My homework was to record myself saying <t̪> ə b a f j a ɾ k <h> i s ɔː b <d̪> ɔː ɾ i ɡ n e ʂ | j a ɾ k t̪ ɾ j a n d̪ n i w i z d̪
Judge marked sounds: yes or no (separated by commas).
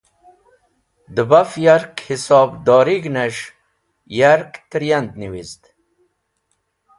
no, yes, yes